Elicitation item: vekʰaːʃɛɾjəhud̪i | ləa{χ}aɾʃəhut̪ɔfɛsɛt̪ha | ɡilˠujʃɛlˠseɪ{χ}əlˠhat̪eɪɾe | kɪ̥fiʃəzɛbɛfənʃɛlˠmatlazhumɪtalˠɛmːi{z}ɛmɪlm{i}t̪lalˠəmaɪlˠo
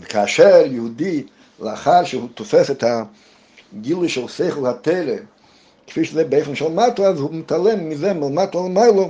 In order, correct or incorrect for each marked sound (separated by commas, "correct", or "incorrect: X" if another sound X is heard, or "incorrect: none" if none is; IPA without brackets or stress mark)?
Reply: correct, correct, correct, incorrect: a